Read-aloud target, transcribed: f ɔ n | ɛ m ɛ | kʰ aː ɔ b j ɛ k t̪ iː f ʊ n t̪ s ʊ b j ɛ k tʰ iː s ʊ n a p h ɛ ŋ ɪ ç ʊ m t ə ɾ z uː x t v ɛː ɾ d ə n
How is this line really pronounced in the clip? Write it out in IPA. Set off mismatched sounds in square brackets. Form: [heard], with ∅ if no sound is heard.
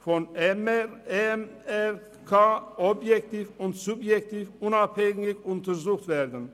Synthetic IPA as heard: f ɔ n | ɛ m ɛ | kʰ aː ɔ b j ɛ k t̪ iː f ʊ n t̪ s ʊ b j ɛ k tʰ iː [f] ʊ n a p h ɛ ŋ ɪ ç ʊ [n] t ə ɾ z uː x t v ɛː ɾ d ə n